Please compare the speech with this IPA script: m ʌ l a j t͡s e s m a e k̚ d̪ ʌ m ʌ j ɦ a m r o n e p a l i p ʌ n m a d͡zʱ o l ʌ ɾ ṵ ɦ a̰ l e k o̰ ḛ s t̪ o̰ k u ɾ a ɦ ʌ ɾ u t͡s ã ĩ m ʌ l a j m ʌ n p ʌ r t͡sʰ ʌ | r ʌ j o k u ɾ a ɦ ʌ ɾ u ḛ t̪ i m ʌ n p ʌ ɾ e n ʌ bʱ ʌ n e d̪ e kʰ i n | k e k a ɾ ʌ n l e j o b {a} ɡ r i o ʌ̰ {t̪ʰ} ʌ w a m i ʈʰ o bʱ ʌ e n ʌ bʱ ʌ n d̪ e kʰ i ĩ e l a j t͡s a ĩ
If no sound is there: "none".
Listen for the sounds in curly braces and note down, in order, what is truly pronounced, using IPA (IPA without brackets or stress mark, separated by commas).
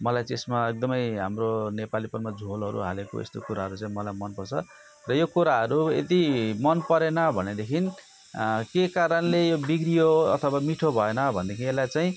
i, t̪ʰ